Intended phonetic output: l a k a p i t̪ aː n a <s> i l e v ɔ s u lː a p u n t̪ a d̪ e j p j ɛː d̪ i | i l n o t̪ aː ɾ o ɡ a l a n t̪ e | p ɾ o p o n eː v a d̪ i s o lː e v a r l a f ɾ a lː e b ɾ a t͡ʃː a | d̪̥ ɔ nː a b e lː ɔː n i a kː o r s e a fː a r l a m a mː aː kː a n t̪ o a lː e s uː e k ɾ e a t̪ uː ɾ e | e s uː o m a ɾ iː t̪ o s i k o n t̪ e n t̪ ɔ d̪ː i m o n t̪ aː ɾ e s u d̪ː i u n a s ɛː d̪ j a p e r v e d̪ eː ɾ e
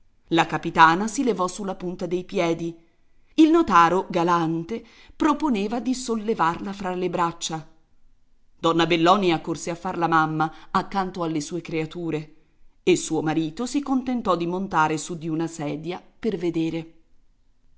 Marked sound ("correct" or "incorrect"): correct